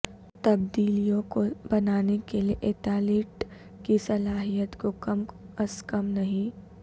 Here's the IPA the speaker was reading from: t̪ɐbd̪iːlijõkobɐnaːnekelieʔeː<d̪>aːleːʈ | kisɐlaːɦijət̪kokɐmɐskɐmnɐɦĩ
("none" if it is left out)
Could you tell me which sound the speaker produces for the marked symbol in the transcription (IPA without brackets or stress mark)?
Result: t̪